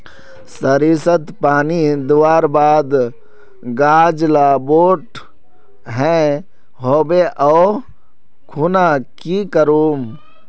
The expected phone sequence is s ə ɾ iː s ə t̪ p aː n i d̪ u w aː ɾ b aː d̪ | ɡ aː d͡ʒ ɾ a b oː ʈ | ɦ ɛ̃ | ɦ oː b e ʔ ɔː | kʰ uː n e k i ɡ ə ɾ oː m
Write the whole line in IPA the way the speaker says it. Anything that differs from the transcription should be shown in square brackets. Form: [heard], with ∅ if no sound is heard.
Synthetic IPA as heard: s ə ɾ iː s ə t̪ p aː n i d̪ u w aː ɾ b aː d̪ | ɡ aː d͡ʒ [l] a b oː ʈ | ɦ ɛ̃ | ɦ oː b e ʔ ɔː | kʰ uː n [a] k i [k] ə ɾ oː m